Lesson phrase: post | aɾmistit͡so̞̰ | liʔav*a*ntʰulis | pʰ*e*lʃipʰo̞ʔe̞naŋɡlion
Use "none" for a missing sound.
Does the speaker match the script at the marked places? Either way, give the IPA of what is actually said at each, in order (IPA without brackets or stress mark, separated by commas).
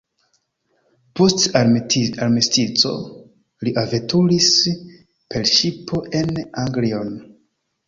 e, e